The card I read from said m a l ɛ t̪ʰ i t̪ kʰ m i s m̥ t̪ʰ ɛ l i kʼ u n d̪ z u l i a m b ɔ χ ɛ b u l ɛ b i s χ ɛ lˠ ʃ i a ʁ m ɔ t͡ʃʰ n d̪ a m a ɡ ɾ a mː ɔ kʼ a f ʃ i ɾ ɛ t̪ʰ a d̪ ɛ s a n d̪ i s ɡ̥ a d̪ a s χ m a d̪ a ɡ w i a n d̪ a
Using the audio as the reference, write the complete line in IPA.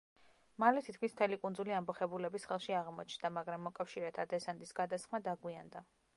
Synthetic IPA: m a l ɛ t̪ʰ i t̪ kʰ m i s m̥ t̪ʰ ɛ l i kʼ u n d̪ z u l i a m b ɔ χ ɛ b u l ɛ b i s χ ɛ lˠ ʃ i a ʁ m ɔ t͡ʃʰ n d̪ a m a ɡ ɾ a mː ɔ kʼ a f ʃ i ɾ ɛ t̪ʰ a d̪ ɛ s a n d̪ i s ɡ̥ a d̪ a s χ m a d̪ a ɡ w i a n d̪ a